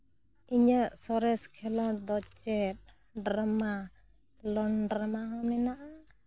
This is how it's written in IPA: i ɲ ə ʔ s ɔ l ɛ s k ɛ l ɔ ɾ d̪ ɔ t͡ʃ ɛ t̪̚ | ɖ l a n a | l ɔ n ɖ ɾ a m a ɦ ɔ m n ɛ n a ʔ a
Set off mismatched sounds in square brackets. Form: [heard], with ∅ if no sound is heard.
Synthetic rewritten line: i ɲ ə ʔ s ɔ [ɾ] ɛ s [kʰ] ɛ l ɔ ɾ d̪ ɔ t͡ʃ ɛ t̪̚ | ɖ [ɾ] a [m] a | l ɔ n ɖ ɾ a m a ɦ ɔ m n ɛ n a ʔ a